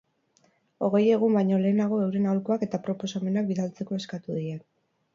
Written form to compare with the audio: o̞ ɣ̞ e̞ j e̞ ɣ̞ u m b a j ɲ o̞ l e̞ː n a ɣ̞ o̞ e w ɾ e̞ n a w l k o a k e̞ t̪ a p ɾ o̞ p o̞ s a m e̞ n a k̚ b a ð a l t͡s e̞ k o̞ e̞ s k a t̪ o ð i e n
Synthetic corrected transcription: o̞ ɣ̞ e̞ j e̞ ɣ̞ u m b a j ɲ o̞ l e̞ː n a ɣ̞ o̞ e w ɾ e̞ n a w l k o a k e̞ t̪ a p ɾ o̞ p o̞ s a m e̞ n a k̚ b i ð a l t͡s e̞ k o̞ e̞ s k a t̪ u ð i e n